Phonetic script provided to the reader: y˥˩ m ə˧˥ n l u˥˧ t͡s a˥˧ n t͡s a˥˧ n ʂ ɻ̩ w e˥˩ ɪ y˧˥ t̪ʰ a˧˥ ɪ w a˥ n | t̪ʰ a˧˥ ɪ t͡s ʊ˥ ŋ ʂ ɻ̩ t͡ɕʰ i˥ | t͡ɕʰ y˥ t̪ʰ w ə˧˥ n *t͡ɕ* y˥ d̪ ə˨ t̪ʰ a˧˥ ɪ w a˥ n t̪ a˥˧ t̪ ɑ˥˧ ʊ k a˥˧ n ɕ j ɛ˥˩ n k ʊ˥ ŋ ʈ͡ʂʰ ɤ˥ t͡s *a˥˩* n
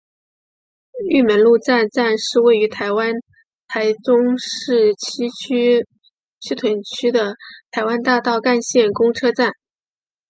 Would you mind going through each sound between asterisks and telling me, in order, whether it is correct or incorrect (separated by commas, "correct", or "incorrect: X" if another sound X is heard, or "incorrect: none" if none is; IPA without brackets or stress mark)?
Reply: incorrect: t͡ɕʰ, correct